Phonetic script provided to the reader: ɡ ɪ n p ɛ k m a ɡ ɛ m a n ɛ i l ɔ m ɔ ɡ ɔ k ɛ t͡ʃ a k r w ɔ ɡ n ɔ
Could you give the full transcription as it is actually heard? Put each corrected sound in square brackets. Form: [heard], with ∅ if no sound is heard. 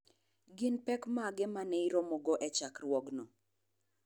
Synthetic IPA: ɡ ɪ n p ɛ k m a ɡ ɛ m a n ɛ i [ɾ] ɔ m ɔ ɡ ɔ [ʔ] ɛ t͡ʃ a k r w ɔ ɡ n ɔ